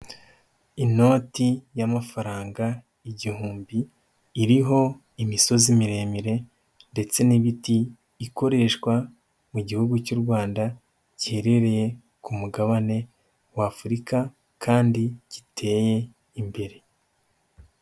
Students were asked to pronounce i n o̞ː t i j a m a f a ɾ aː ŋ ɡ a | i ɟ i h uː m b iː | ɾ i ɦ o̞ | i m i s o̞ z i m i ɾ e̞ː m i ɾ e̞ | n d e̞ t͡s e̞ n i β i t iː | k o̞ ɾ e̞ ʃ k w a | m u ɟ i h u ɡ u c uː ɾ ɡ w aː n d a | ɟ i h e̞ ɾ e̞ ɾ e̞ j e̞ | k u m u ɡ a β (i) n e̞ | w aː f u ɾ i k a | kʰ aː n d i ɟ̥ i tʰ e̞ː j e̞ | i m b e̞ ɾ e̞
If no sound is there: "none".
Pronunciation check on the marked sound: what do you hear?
a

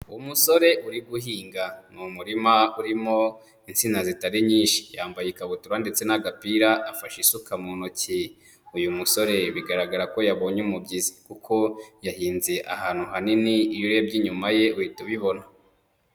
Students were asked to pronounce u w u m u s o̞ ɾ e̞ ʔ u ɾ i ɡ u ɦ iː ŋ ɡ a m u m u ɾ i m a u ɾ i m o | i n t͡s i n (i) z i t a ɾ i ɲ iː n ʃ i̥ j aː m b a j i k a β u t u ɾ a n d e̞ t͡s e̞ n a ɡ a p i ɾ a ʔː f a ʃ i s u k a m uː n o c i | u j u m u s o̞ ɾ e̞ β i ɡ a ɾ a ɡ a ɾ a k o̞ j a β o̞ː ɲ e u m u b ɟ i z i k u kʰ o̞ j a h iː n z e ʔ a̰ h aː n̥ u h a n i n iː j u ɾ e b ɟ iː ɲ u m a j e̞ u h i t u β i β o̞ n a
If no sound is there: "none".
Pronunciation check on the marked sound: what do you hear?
a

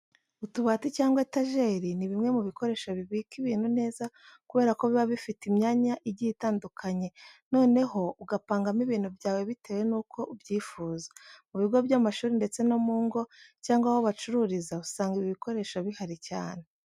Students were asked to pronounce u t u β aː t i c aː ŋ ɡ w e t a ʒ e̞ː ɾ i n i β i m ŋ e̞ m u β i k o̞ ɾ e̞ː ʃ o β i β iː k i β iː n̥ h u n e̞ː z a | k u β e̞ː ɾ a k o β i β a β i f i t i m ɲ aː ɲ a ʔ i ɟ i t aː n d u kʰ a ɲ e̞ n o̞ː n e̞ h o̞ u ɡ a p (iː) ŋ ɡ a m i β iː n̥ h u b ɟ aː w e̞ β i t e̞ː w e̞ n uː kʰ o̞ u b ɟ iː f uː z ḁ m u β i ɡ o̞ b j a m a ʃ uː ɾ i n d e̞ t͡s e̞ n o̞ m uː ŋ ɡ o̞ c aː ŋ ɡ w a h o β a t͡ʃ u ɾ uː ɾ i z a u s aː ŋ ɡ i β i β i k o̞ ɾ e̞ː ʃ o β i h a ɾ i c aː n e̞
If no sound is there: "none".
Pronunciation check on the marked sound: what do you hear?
aː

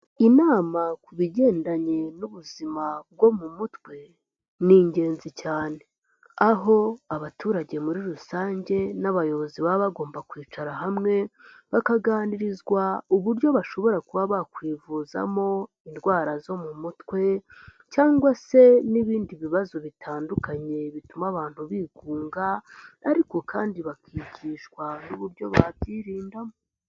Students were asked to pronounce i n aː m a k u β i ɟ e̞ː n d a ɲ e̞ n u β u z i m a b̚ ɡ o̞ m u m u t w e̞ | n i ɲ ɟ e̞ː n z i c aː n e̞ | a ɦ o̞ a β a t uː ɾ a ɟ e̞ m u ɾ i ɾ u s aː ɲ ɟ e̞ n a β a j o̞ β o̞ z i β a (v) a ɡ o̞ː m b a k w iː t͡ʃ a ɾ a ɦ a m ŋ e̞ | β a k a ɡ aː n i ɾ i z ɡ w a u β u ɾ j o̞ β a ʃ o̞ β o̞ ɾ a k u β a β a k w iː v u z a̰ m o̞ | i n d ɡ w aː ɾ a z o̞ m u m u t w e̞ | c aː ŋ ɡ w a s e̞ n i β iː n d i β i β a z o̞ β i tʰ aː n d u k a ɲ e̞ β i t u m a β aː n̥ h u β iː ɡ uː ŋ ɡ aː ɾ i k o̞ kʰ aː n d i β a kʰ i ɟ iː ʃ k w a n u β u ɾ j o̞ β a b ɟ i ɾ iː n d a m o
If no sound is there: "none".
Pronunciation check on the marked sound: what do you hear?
β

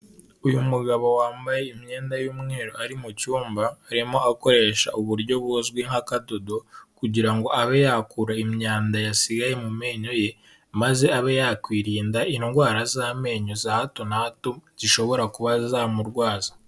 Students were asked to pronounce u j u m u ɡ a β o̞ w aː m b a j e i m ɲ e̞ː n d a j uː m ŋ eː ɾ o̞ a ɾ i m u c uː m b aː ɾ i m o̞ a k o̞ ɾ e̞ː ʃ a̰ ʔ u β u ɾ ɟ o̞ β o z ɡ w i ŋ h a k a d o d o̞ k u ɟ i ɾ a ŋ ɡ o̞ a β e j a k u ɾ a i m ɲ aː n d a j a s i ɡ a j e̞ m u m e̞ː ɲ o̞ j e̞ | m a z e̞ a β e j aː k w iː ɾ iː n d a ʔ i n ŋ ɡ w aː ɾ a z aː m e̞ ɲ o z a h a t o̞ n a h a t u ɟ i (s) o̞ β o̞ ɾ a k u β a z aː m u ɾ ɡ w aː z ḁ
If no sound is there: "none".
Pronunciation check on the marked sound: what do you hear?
ʃ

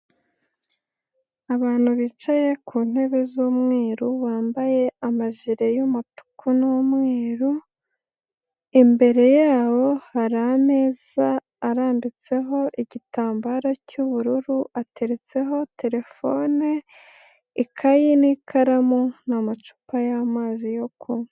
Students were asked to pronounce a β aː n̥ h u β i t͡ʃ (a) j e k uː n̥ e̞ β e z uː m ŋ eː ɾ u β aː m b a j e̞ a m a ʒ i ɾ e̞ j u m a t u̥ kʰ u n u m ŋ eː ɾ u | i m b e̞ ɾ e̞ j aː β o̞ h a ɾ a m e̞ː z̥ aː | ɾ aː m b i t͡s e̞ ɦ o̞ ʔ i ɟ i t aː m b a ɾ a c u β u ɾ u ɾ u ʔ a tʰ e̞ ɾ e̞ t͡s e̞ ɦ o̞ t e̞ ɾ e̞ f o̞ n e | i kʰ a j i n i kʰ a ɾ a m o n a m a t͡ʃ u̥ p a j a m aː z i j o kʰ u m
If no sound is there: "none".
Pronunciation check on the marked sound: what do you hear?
a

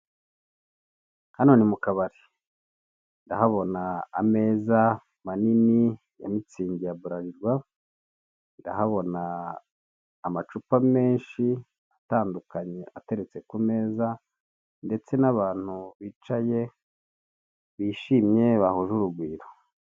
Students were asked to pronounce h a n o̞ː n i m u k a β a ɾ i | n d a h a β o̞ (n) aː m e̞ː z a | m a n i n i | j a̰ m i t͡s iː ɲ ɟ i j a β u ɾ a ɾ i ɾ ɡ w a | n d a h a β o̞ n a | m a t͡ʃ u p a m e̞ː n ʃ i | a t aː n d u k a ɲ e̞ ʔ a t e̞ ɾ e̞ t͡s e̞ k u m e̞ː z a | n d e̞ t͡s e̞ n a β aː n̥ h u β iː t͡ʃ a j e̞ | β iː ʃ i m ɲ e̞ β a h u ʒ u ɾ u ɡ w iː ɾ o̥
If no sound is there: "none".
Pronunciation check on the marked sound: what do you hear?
n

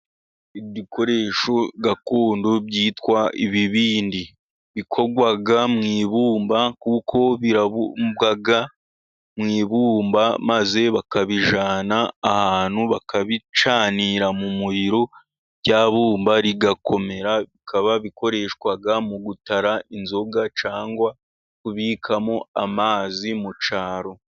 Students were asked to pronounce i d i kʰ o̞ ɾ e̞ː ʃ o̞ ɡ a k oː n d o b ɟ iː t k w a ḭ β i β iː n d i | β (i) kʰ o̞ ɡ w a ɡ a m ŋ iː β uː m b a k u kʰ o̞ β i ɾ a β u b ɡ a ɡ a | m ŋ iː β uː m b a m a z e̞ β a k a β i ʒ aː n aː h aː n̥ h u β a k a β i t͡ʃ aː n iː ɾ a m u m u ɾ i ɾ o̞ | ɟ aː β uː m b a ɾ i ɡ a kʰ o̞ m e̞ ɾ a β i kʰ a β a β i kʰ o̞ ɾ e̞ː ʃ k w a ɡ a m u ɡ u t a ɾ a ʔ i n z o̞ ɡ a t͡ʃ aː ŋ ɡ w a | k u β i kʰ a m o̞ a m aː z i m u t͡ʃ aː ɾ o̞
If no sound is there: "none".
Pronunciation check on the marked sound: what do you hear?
i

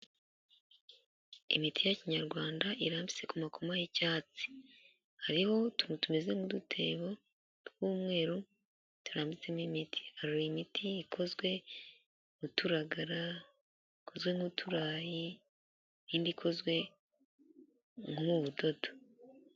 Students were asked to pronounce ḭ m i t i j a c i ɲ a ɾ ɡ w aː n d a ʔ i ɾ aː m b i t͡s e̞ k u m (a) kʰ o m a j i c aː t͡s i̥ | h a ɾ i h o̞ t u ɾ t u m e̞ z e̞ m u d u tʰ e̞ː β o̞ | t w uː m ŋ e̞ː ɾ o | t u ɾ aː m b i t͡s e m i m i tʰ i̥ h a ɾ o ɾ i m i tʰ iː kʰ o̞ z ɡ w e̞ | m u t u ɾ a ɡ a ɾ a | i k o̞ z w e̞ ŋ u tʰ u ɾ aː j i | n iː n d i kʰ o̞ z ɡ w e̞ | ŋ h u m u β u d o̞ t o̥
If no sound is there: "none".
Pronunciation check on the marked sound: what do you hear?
a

